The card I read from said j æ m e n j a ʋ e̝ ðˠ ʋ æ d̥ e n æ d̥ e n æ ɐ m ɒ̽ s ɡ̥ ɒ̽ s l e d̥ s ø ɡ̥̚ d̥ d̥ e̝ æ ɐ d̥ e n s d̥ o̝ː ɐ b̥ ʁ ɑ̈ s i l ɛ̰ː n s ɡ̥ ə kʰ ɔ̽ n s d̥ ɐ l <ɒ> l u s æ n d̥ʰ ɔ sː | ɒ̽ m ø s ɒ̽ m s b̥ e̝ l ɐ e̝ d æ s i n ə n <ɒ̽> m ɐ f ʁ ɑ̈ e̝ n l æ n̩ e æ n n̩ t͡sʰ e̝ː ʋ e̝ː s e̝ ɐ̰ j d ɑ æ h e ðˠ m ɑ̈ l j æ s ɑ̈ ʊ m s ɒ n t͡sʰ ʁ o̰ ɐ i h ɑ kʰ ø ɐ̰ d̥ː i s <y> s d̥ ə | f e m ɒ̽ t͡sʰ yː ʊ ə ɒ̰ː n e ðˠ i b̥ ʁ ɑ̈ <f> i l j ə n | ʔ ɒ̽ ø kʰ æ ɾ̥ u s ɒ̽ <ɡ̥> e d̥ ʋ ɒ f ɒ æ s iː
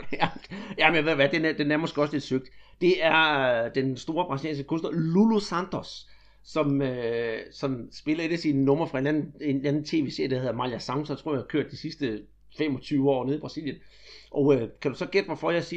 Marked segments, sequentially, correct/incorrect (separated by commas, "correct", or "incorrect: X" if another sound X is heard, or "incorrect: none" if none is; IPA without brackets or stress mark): incorrect: u, incorrect: ɔ̽, incorrect: i, incorrect: s, correct